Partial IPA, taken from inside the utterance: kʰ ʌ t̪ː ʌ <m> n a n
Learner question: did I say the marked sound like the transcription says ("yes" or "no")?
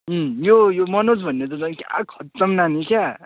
yes